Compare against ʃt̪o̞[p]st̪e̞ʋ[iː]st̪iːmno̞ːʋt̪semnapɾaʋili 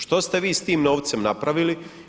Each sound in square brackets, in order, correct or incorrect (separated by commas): incorrect, correct